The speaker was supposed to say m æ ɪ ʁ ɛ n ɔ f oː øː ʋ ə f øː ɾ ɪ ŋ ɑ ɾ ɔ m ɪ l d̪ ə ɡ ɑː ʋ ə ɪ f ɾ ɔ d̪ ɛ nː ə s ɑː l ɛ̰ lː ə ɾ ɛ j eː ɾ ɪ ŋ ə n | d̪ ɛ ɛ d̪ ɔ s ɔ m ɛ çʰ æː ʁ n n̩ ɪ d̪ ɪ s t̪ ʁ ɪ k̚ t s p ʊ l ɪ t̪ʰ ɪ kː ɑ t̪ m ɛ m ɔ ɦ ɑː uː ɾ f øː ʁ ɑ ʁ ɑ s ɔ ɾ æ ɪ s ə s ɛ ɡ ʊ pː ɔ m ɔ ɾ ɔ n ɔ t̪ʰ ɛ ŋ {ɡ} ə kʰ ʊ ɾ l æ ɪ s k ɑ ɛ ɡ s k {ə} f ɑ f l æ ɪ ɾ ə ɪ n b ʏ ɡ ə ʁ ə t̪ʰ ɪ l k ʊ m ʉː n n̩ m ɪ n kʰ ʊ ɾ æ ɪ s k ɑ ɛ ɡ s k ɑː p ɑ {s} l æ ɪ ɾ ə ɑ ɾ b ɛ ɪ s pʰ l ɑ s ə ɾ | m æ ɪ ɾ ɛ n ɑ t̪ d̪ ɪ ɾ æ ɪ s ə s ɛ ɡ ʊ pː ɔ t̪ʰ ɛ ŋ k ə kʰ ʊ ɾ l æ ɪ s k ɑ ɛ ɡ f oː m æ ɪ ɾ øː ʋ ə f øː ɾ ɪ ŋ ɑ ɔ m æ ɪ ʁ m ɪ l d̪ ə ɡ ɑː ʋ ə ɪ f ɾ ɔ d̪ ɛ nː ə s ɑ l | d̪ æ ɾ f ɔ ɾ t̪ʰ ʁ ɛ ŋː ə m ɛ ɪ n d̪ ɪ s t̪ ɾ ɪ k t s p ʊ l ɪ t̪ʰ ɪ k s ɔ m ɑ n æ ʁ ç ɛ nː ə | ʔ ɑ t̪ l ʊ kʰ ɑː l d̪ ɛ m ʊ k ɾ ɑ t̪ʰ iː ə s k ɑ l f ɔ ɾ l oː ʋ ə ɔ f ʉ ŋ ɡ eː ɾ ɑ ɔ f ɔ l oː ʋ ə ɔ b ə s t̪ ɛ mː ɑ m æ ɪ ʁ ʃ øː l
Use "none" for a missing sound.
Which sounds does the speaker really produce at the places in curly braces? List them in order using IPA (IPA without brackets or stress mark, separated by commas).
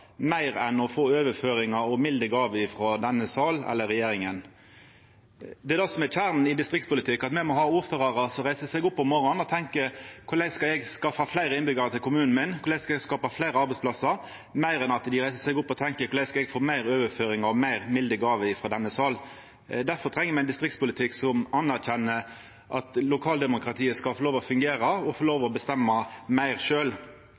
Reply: k, ɑ, f